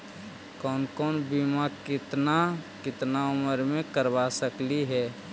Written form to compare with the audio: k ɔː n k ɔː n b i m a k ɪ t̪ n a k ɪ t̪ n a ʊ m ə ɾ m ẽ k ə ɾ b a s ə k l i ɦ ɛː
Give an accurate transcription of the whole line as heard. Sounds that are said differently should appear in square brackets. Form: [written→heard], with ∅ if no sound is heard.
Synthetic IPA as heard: k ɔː n k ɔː n b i m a k ɪ t̪ n a k ɪ t̪ n a ʊ m ə ɾ m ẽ k ə ɾ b a s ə k l i ɦ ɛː